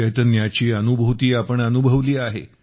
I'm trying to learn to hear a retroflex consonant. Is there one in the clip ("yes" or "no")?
yes